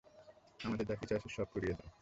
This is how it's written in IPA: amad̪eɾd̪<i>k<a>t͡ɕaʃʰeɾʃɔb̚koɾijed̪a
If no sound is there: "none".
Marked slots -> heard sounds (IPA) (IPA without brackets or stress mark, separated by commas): a, i